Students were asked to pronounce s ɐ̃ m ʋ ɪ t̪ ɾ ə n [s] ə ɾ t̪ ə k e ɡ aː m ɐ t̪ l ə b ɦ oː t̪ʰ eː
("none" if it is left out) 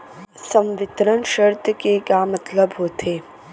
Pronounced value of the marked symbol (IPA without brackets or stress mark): ʃ